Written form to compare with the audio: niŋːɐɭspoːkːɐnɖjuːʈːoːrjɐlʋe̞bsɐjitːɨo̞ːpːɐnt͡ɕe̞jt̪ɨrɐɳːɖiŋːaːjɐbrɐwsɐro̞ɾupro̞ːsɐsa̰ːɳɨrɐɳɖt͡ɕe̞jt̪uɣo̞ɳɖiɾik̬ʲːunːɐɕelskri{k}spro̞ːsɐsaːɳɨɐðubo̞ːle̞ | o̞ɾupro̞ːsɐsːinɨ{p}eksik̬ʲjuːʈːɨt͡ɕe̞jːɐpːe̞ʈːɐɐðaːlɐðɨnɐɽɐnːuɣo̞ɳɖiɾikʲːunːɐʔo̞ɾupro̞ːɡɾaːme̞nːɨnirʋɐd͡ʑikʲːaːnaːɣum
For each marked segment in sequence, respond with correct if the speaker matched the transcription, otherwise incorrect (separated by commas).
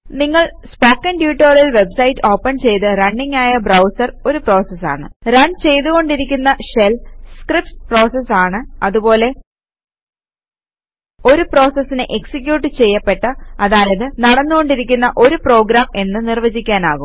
incorrect, incorrect